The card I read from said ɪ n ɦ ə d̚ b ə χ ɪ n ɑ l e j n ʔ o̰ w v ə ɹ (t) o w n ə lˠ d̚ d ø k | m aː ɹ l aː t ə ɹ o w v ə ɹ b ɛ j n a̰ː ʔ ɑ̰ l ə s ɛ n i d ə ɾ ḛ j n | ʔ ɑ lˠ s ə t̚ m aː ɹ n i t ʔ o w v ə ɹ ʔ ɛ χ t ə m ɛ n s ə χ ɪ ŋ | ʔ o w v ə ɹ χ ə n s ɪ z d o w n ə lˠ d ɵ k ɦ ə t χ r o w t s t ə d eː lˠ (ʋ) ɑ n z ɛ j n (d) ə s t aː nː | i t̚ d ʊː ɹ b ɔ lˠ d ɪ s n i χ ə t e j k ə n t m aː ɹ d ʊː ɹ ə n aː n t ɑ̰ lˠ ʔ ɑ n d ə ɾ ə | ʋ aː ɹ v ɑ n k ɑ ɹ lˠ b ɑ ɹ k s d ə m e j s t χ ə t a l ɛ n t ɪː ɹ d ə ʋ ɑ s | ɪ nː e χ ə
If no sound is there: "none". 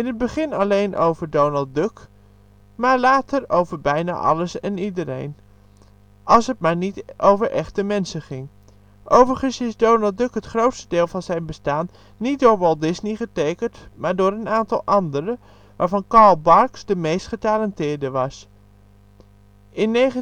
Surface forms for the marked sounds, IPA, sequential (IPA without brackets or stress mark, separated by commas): d, v, b